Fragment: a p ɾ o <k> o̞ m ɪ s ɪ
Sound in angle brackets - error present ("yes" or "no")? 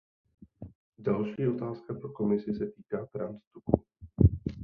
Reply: no